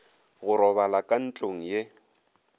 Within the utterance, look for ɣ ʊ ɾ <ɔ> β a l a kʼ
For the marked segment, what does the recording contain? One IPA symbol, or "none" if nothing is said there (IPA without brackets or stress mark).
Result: ɔ